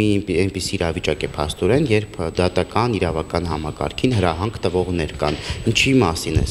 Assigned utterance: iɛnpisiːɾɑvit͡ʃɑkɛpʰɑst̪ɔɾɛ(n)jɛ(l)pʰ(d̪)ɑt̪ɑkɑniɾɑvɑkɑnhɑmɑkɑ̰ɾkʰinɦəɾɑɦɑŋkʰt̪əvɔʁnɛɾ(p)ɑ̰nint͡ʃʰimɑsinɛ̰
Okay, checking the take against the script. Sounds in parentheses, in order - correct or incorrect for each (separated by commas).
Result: correct, incorrect, correct, incorrect